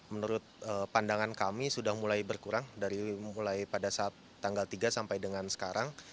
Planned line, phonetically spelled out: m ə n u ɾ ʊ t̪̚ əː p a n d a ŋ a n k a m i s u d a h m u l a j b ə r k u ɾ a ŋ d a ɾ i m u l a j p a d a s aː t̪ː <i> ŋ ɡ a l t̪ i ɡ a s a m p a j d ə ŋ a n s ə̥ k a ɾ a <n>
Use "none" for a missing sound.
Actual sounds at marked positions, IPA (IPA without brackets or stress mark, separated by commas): a, ŋ